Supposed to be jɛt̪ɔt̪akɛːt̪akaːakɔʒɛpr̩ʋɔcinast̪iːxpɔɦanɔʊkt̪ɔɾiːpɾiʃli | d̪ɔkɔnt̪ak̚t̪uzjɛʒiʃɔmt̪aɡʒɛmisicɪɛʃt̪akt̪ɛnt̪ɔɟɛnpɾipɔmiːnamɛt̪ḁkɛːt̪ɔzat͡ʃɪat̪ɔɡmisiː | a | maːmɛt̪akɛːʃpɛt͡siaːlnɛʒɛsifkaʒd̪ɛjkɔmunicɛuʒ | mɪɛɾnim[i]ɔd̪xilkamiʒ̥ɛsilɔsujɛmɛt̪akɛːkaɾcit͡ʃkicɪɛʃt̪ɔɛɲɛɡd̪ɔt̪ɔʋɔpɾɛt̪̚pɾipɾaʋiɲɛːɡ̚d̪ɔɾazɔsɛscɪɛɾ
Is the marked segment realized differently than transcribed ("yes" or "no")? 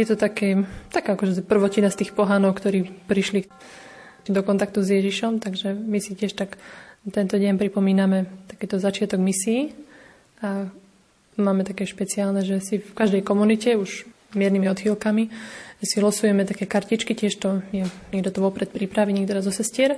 no